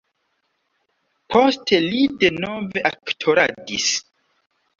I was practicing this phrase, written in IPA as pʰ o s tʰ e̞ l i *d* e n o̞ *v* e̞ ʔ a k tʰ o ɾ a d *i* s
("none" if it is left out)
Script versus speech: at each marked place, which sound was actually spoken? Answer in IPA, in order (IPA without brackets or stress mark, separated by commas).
d, v, i